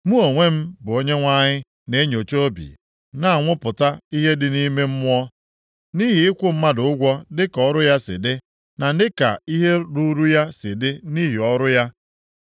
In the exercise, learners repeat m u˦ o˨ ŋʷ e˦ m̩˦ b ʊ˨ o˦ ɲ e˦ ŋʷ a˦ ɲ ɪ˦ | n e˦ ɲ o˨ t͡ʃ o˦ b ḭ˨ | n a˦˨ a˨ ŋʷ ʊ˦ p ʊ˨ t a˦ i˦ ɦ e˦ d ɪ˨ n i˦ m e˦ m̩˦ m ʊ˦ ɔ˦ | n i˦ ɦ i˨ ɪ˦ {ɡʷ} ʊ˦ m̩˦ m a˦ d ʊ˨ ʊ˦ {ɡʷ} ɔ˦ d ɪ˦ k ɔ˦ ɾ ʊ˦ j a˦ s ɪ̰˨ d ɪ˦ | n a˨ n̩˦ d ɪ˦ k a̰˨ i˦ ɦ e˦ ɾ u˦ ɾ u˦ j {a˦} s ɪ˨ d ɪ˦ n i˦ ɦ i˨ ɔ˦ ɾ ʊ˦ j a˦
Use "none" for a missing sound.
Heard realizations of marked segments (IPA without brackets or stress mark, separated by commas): kʷ, ɡʷ, a˦